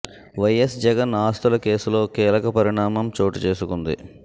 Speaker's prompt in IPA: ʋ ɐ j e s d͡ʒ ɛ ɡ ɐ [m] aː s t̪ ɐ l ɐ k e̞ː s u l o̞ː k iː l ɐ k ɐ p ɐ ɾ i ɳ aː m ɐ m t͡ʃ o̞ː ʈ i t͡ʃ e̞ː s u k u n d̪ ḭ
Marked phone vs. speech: incorrect: n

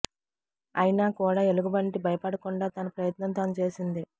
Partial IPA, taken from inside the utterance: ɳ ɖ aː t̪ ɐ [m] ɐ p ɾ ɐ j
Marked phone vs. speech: incorrect: n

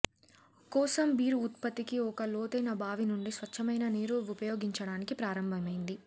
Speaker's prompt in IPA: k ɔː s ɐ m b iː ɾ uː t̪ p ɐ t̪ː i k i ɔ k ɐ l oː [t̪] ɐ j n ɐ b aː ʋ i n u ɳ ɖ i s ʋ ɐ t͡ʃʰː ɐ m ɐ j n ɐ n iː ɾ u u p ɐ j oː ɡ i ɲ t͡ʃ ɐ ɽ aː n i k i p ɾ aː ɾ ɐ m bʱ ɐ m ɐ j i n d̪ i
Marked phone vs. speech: correct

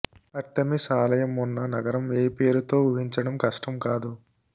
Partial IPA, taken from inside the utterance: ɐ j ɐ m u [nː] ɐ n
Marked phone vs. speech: correct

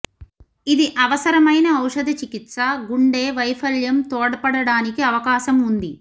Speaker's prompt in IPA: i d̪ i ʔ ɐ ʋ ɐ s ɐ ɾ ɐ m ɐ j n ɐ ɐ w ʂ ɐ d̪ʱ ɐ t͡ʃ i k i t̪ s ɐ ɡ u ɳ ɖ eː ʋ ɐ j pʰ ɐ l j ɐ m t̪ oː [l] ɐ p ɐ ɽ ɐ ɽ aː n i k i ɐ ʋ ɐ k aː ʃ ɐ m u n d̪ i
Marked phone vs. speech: incorrect: ɽ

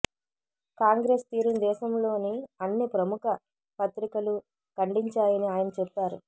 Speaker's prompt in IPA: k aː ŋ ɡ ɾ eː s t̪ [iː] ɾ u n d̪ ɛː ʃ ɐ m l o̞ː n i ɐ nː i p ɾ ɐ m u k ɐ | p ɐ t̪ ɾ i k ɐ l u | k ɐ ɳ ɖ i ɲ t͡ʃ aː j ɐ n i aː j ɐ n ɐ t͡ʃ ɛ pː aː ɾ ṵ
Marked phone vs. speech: correct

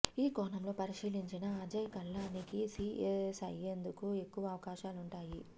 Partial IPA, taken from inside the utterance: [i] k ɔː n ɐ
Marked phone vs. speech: incorrect: iː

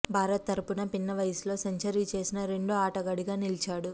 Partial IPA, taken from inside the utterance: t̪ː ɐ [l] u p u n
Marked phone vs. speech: incorrect: ɾ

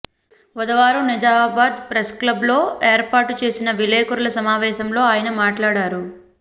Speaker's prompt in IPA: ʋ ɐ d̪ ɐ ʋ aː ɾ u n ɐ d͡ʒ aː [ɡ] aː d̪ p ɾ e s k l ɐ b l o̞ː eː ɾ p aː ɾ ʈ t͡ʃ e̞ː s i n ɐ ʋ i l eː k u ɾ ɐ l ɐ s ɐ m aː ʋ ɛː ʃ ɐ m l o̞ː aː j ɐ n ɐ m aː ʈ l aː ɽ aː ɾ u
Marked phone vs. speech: incorrect: b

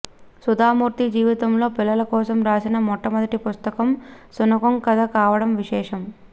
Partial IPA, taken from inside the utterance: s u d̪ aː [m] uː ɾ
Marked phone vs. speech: correct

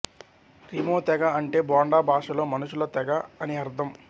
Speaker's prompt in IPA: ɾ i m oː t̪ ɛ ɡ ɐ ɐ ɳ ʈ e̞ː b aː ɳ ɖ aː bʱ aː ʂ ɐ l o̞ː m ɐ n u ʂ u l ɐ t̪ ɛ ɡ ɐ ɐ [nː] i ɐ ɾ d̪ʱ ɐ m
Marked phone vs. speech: incorrect: n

